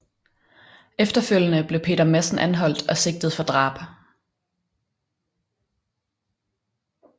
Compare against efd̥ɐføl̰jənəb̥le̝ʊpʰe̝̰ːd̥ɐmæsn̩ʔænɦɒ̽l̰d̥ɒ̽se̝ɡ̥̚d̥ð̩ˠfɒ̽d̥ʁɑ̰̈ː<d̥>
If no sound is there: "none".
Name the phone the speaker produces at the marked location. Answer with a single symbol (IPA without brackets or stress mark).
b̥